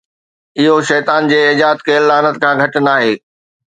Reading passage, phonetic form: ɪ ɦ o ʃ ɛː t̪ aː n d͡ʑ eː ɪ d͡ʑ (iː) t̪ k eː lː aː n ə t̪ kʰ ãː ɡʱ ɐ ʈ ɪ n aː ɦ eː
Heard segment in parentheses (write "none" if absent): aː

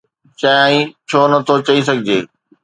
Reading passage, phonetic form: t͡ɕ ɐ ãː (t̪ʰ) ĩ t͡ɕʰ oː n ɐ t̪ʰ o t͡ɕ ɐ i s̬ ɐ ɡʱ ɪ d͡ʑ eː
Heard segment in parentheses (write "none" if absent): none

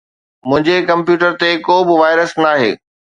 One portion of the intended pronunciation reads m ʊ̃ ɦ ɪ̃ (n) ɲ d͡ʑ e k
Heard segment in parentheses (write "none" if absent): none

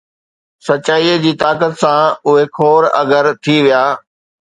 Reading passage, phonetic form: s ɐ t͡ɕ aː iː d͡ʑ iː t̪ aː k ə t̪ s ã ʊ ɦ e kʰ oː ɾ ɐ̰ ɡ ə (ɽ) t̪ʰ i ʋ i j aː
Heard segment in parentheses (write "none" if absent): ɾ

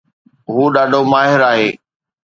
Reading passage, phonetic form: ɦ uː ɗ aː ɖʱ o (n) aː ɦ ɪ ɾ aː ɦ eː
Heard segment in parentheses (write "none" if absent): m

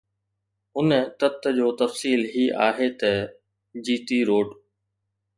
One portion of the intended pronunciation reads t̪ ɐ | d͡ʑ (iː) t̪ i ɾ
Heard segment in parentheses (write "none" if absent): iː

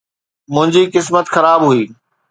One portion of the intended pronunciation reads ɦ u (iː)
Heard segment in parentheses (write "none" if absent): iː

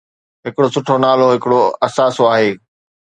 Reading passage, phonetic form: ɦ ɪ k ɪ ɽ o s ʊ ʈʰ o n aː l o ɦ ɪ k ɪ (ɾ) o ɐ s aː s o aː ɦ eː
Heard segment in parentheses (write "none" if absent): ɽ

